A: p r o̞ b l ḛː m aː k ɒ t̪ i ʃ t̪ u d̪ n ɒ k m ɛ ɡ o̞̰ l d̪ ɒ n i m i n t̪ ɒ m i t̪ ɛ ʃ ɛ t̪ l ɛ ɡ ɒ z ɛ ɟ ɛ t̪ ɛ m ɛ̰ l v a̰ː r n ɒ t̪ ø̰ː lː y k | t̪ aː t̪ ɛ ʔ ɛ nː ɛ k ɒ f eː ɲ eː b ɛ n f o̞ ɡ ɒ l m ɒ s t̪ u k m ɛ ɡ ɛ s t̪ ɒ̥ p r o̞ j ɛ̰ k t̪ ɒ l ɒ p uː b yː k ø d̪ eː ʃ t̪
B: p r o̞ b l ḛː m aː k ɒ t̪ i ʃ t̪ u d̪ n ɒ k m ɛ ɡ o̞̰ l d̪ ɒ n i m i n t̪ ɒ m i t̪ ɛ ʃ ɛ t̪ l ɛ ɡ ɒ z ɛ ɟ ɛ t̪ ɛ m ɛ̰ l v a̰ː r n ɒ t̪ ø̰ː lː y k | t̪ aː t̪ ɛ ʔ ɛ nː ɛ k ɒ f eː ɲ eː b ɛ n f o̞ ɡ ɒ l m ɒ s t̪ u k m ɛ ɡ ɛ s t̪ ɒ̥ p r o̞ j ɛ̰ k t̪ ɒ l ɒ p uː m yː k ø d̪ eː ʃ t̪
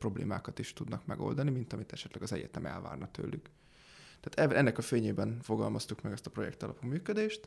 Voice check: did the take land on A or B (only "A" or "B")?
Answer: B